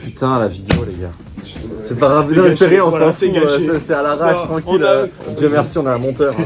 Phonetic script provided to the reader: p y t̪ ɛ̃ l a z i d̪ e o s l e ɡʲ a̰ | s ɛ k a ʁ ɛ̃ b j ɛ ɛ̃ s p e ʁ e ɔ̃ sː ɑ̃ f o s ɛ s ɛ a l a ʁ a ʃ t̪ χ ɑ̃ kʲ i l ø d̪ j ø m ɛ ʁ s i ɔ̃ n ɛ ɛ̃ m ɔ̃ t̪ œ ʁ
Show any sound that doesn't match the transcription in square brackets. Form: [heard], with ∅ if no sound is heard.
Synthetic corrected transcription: p y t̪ ɛ̃ l a [v] i d̪ e o [∅] l e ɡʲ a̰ | s ɛ [p] a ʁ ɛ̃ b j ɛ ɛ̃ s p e ʁ e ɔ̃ [s] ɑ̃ f [u] s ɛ s ɛ a l a ʁ a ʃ t̪ χ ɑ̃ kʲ i l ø d̪ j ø m ɛ ʁ s i ɔ̃ n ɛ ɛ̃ m ɔ̃ t̪ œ ʁ